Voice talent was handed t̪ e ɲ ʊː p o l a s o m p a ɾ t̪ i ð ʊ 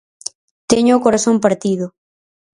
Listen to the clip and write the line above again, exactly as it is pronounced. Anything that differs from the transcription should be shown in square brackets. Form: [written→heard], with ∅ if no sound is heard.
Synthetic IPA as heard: t̪ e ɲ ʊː [p→k] o [l→ɾ] a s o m p a ɾ t̪ i ð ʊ